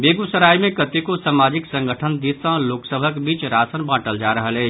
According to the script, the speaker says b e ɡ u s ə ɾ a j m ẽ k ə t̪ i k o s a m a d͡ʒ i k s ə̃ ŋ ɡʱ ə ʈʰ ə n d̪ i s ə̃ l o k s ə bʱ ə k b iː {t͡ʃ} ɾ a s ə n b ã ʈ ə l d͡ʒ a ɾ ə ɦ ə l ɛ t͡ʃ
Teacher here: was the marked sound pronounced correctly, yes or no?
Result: yes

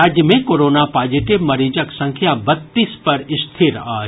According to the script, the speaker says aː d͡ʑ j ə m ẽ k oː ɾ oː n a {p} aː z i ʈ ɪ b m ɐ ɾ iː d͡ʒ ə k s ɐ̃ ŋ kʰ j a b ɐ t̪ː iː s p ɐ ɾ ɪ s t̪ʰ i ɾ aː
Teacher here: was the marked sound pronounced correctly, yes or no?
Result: yes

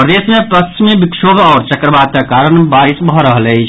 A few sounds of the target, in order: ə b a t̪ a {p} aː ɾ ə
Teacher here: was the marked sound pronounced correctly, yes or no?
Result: no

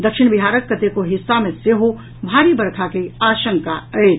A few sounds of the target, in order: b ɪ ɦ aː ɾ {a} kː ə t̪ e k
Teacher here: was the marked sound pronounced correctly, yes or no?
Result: no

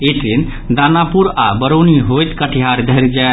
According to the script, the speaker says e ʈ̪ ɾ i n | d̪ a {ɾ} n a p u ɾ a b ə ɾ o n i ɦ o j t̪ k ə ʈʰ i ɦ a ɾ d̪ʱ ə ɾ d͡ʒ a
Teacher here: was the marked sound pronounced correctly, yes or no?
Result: no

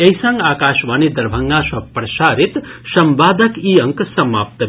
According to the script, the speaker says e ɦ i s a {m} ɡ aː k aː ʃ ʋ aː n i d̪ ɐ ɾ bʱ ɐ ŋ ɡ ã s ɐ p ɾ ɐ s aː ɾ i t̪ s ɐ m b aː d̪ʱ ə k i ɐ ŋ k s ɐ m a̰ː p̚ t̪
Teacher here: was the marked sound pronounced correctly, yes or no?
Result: no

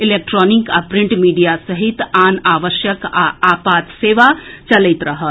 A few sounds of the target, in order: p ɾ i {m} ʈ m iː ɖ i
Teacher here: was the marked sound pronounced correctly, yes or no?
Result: no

